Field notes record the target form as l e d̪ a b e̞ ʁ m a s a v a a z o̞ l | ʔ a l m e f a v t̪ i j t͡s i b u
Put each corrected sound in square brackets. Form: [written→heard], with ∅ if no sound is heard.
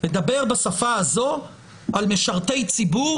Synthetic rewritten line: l e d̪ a b e̞ ʁ [m→b] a s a [v→f] a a z o̞ [l→∅] | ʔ a l m e [f→ʃ] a [v→ʁ] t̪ [i→e] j t͡s i b u